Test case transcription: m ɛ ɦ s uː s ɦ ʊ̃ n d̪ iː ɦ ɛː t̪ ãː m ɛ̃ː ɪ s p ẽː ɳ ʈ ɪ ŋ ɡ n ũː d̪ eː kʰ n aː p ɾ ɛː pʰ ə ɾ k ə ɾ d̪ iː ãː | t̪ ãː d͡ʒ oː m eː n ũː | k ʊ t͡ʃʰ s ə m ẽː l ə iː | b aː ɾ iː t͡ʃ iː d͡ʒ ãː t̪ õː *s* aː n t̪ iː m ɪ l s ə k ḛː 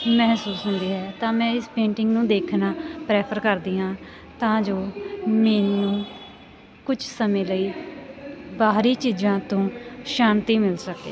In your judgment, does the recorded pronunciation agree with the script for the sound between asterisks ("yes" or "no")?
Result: no